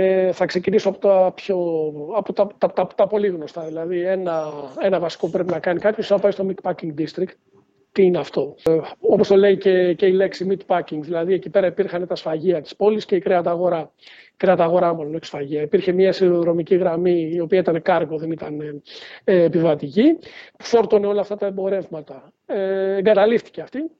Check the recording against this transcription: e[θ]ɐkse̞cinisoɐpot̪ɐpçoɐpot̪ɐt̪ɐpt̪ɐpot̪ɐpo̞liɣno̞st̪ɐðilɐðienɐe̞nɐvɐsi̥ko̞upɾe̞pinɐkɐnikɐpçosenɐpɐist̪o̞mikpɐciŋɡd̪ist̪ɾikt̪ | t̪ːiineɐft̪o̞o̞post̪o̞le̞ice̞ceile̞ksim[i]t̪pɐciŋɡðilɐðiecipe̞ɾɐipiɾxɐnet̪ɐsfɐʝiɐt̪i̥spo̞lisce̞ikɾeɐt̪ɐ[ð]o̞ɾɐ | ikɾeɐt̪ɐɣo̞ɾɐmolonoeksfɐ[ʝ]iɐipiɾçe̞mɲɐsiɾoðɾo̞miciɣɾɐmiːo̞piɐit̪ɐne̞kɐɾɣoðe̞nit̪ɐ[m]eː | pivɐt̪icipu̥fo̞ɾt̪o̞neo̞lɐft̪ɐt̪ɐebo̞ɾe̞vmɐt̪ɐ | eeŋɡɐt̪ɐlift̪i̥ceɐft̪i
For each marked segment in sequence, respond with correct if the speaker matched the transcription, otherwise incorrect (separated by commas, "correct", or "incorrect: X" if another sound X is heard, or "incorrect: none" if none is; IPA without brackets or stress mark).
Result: correct, correct, incorrect: ɣ, correct, incorrect: n